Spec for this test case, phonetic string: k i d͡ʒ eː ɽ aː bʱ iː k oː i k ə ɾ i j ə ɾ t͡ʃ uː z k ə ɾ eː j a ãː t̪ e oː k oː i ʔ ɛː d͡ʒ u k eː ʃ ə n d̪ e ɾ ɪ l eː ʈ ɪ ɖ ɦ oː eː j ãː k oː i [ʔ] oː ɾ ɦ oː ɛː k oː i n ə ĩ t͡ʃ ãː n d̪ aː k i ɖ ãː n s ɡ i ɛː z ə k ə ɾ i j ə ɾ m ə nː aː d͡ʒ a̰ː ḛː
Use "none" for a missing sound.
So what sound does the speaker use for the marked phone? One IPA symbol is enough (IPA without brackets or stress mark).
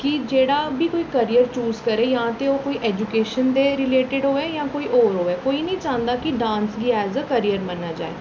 ʔ